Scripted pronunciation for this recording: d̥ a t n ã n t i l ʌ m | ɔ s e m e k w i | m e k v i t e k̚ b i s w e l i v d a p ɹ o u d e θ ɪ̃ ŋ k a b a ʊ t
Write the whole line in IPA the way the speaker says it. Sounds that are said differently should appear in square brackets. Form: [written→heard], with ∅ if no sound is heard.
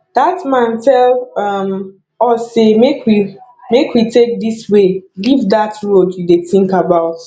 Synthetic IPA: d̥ a t [n→m] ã n t [i→ɛ] l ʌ m | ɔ s e m e k w i | m e k [v→w] i t e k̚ [b→d] i s w e l i v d a [p→t] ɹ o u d e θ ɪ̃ ŋ k a b a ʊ t